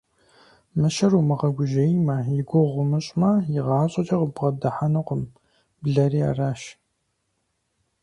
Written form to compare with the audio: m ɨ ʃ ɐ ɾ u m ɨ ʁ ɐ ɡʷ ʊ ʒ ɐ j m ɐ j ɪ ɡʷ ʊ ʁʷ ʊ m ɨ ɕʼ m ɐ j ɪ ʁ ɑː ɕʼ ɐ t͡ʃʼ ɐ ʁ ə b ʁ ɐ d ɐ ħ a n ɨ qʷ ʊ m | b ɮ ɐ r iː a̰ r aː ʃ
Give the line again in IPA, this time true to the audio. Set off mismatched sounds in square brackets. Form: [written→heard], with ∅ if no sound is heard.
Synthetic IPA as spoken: m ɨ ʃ ɐ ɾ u m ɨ ʁ ɐ ɡʷ ʊ ʒ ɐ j m ɐ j ɪ ɡʷ ʊ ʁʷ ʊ m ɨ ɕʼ m ɐ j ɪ ʁ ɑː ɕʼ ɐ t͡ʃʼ ɐ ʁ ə b ʁ ɐ d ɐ ħ a n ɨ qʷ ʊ m | b ɮ ɐ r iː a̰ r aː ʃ